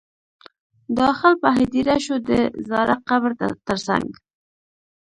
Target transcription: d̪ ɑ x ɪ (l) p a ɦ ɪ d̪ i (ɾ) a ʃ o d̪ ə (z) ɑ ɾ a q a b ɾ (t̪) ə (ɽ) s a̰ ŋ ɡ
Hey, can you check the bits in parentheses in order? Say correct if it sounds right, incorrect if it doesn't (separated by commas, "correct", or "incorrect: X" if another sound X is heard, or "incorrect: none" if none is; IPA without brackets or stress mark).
correct, correct, correct, correct, incorrect: ɾ